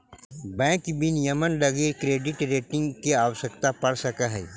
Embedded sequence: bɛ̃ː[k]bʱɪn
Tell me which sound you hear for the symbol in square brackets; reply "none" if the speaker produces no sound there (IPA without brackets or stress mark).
k